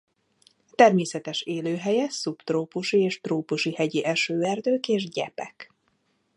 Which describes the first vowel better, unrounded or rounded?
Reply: unrounded